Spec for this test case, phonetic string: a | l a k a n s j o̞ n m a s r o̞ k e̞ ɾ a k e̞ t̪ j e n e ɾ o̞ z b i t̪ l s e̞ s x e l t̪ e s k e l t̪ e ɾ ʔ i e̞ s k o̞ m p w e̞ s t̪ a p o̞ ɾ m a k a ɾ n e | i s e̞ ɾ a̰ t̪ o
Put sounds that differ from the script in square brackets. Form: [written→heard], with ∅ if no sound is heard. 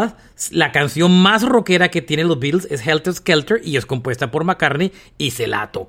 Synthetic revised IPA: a | l a k a n s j o̞ n m a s r o̞ k e̞ ɾ a k e̞ t̪ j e n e [ɾ→l] o̞ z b i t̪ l s e̞ s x e l t̪ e s k e l t̪ e ɾ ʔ i e̞ s k o̞ m p w e̞ s t̪ a p o̞ ɾ m a k a ɾ n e | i s e̞ [ɾ→l] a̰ t̪ o